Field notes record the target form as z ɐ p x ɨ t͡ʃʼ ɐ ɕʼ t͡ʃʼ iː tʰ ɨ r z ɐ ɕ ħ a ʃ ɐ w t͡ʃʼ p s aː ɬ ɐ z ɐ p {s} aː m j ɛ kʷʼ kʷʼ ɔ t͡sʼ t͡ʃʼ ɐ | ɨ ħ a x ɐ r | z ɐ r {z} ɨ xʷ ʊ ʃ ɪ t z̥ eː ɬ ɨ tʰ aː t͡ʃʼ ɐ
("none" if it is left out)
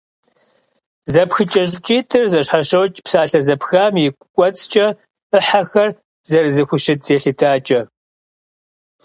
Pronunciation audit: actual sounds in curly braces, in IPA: x, z

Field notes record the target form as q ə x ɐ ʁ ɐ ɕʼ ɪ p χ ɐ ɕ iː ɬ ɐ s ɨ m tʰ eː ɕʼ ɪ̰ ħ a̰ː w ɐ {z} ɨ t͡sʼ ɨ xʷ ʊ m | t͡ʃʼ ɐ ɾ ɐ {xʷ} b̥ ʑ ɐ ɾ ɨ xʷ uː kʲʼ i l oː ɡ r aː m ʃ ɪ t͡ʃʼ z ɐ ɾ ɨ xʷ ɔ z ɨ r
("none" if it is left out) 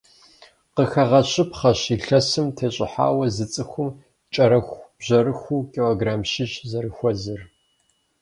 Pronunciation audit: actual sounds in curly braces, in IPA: z, xʷ

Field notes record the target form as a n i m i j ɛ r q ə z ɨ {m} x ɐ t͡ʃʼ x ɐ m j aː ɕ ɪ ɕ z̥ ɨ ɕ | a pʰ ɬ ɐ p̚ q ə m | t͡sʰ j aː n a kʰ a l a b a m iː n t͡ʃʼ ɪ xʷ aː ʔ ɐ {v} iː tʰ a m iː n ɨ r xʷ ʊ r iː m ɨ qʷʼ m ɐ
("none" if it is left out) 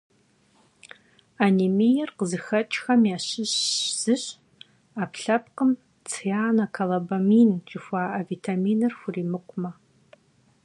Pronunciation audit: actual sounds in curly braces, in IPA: none, v

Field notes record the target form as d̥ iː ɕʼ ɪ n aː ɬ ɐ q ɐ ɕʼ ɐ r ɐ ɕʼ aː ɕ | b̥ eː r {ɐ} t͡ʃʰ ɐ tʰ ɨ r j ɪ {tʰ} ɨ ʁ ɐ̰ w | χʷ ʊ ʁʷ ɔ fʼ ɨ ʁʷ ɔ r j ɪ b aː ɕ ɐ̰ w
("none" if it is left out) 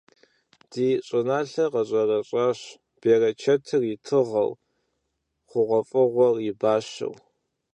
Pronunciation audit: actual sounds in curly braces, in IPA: ɐ, tʰ

